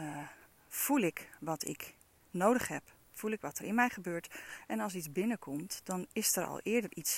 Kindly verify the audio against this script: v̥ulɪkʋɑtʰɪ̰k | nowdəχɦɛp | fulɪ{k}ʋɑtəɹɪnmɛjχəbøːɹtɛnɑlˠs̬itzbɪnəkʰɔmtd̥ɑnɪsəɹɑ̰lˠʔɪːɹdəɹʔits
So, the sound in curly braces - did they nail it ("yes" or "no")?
yes